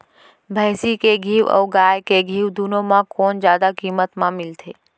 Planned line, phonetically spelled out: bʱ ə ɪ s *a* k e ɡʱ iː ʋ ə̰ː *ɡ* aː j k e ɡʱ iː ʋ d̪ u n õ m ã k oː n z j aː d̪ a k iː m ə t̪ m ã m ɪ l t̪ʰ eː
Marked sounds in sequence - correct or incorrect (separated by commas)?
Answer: incorrect, correct